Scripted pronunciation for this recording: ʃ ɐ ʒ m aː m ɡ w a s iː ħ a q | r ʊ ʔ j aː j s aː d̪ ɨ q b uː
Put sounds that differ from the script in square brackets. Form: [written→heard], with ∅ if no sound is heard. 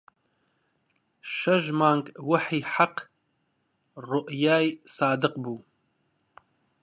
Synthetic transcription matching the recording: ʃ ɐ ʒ m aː [m→ŋ] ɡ w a [s→ħ] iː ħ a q | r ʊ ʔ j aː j s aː d̪ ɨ q b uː